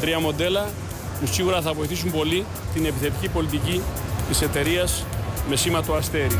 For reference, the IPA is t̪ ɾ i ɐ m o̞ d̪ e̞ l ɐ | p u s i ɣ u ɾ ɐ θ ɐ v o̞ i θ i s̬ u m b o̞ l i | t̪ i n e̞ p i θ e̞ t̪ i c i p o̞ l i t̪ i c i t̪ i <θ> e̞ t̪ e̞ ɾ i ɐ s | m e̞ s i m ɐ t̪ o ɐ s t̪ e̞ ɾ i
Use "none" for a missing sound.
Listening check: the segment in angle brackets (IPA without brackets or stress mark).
s